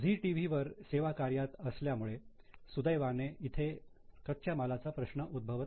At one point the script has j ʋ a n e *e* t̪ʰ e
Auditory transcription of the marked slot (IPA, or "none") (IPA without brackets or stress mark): i